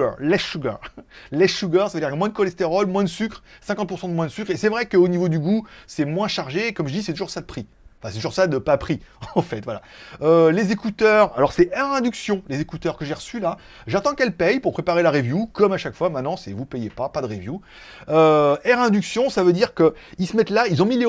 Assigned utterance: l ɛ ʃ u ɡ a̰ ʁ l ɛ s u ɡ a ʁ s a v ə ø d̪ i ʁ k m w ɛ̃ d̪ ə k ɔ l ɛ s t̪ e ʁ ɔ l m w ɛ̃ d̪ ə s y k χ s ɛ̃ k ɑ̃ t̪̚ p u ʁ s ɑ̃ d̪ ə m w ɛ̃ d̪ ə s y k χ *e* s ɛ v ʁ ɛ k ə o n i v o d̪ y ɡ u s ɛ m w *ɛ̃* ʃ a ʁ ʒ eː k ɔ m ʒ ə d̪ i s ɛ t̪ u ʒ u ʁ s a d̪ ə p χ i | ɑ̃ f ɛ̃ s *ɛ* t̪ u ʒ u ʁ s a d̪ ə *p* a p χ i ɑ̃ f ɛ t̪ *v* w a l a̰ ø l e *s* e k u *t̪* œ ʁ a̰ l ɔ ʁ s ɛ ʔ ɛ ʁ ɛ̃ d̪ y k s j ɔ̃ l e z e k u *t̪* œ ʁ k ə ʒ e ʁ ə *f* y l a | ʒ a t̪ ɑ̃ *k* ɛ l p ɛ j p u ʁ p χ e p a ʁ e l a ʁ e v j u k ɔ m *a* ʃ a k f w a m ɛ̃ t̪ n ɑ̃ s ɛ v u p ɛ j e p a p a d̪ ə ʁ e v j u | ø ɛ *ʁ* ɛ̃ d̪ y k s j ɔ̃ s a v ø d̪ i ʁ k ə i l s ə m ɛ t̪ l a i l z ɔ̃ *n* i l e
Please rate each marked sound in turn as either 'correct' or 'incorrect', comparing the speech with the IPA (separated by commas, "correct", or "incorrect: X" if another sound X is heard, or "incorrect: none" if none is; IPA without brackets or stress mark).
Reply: correct, correct, correct, correct, correct, incorrect: z, correct, correct, incorrect: s, correct, correct, correct, incorrect: m